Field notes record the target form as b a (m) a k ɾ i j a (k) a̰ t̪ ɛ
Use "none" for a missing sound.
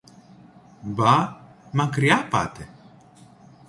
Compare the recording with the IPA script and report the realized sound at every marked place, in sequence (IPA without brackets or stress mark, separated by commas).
m, p